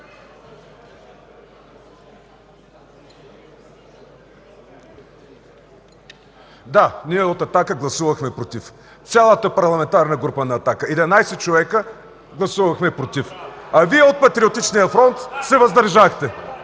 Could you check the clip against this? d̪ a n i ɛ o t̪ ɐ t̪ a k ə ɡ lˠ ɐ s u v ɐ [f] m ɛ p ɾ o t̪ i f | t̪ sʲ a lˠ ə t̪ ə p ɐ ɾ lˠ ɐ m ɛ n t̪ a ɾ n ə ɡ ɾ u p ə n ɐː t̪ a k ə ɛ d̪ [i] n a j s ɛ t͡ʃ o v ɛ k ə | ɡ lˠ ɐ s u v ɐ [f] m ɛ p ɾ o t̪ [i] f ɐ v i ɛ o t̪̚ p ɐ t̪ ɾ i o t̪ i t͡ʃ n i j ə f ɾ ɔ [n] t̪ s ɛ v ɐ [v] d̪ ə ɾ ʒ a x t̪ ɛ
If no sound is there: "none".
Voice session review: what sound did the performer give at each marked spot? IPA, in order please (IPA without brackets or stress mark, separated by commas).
x, ɛ, x, i, n, z